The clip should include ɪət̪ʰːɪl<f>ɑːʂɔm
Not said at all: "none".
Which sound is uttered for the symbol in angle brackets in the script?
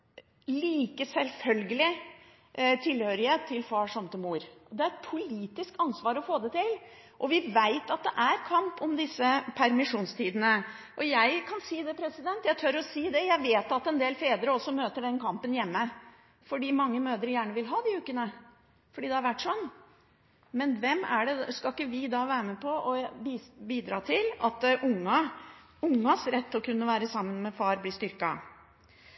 f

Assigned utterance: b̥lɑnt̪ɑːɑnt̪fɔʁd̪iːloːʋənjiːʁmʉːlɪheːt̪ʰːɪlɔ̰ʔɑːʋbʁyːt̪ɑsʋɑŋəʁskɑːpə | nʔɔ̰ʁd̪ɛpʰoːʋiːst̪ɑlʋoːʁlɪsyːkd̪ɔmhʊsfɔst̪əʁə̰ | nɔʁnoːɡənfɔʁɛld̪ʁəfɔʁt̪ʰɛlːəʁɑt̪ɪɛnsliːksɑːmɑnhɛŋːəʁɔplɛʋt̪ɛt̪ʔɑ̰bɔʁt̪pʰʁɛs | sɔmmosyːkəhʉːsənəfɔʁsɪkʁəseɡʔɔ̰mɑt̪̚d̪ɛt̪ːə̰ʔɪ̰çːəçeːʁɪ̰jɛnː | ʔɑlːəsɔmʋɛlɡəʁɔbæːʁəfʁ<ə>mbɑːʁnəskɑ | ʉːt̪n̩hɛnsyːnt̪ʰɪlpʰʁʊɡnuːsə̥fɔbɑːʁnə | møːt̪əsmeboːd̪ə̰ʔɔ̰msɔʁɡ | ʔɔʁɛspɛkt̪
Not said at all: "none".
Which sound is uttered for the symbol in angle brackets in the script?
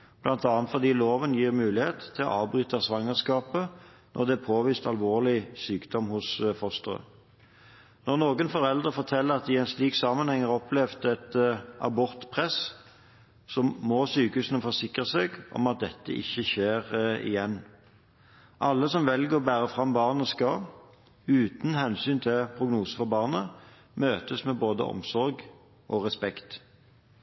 ɑ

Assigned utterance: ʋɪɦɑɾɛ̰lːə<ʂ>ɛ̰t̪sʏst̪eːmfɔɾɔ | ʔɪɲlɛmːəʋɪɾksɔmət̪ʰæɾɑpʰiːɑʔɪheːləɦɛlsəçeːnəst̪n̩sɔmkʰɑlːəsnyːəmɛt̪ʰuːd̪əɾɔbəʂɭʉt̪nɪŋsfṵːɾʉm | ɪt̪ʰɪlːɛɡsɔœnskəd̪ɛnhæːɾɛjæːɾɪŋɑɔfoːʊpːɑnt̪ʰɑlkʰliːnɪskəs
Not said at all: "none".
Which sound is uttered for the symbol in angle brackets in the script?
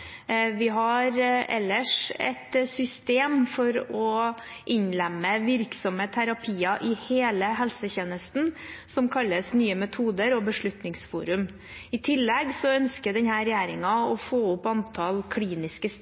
ʂ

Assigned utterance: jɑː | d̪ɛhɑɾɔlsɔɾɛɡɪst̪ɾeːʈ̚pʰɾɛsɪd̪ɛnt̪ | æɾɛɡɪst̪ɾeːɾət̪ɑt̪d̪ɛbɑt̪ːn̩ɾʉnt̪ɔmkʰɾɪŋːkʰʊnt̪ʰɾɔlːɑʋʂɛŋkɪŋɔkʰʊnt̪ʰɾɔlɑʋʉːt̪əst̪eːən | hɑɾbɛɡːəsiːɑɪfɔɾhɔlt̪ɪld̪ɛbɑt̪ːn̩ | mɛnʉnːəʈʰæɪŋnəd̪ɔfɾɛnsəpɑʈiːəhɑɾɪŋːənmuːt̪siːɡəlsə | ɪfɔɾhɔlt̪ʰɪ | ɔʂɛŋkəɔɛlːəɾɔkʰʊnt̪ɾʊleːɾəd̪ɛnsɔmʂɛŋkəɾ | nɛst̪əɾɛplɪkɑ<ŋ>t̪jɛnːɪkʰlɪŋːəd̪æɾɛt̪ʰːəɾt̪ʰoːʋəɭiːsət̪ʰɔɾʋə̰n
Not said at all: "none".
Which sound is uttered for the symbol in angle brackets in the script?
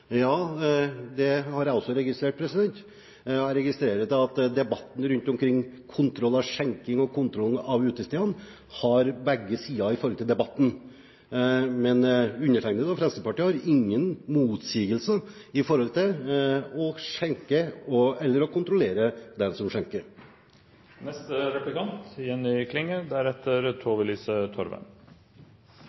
n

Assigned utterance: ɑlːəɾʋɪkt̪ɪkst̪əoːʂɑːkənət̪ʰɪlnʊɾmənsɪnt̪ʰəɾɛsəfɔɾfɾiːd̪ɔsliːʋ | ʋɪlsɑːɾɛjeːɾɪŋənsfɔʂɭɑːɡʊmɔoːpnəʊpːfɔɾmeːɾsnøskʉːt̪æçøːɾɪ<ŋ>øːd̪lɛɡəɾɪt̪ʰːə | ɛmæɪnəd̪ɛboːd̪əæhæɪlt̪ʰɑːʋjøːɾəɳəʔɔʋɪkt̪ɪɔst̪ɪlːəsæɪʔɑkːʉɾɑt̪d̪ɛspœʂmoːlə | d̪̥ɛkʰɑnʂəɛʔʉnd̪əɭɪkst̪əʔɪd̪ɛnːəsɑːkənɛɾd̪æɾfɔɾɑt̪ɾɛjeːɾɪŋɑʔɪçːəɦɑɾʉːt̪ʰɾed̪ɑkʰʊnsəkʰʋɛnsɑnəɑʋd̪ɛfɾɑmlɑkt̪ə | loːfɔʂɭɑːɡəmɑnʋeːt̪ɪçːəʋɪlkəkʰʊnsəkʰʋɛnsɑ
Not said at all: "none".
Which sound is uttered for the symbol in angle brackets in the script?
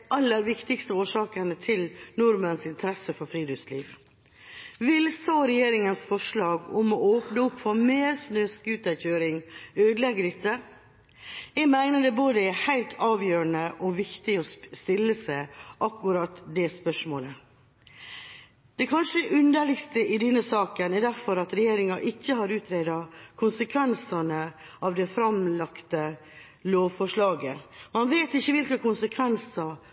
ŋ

